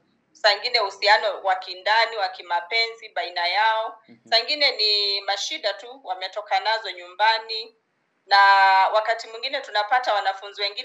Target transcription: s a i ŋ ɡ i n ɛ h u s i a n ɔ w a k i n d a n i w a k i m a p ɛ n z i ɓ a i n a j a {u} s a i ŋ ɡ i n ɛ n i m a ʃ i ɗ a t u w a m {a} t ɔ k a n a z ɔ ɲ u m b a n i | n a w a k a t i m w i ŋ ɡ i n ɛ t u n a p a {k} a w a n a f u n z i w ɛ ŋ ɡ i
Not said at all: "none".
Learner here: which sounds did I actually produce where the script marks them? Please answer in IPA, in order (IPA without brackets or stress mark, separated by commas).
ɔ, ɛ, t